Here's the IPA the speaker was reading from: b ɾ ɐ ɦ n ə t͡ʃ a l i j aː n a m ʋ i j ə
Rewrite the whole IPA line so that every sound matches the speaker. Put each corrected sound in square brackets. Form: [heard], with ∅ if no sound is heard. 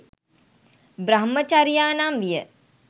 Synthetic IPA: b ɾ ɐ ɦ [m] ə t͡ʃ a [ɾ] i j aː n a m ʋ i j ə